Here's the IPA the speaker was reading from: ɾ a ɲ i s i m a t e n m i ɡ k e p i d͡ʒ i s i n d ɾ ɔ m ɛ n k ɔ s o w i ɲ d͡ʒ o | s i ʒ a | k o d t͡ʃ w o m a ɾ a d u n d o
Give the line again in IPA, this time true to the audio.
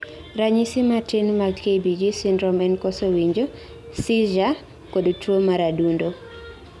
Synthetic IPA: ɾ a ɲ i s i m a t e n m a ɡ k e b i d͡ʒ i s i n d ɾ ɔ m ɛ n k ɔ s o w i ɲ d͡ʒ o | s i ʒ a | k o d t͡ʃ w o m a ɾ a d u n d o